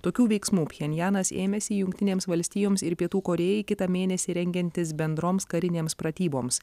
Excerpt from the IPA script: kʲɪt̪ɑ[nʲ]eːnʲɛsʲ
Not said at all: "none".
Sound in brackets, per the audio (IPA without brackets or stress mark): mʲ